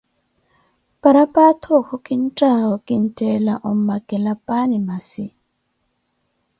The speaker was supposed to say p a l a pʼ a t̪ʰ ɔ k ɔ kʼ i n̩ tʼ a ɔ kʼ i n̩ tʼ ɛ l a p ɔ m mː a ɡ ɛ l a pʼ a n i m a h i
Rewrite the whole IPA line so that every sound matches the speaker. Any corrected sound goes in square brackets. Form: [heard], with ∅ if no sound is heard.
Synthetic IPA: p a [ɾ] a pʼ a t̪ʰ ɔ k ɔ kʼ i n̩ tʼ a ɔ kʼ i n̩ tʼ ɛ l a [ʔ] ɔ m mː a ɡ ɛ l a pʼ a n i m a [s] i